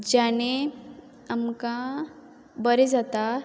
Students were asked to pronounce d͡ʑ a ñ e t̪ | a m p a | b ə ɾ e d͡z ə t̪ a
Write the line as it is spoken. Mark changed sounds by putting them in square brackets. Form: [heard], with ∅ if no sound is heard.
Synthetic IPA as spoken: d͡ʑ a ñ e [∅] | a m [k] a | b ə ɾ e d͡z [a] t̪ a